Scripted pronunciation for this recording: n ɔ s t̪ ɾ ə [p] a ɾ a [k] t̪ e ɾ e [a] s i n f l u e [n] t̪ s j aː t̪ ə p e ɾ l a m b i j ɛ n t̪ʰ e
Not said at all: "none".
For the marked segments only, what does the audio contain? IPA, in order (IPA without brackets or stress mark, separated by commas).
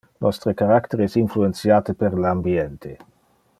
k, k, ɛ, n